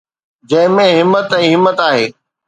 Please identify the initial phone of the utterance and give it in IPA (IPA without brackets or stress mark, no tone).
d͡ʑ